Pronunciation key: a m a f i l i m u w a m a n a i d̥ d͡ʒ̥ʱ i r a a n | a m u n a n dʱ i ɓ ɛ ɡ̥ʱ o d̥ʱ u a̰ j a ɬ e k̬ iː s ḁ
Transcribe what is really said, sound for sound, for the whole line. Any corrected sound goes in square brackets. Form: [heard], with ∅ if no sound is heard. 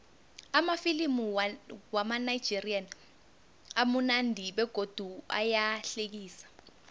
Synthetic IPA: a m a f i l i m u w a m a n a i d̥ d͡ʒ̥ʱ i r [i] a n | a m u n a n dʱ i ɓ ɛ ɡ̥ʱ o d̥ʱ u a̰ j a ɬ e k̬ iː s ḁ